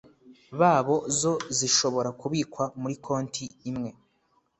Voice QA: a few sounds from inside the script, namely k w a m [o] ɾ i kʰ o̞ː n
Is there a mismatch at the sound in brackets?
yes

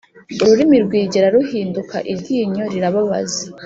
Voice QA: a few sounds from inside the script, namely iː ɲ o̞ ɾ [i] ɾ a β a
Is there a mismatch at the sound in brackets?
no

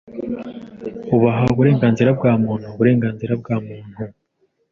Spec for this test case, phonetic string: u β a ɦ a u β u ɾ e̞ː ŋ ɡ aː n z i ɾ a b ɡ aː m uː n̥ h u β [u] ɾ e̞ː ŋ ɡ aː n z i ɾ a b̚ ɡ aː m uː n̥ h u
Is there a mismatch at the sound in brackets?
no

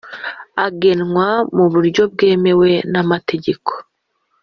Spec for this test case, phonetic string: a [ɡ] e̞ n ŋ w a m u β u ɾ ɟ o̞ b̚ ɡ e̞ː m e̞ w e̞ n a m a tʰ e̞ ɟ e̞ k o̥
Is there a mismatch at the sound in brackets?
no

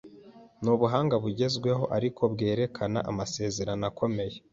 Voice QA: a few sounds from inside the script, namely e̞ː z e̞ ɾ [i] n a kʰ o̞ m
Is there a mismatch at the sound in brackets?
yes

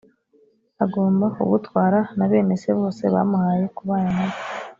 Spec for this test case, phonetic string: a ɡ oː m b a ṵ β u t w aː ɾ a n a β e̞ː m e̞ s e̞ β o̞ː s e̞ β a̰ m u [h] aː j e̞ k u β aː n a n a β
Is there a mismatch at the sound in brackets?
no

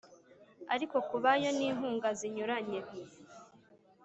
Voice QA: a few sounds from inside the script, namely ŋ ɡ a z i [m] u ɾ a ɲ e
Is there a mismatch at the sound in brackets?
yes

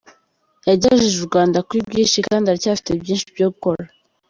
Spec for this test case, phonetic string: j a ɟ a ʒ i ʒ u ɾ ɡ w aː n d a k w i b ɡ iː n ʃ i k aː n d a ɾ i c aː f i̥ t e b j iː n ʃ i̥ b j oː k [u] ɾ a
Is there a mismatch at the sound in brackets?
yes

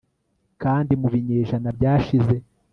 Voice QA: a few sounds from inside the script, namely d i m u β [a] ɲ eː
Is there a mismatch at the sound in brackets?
yes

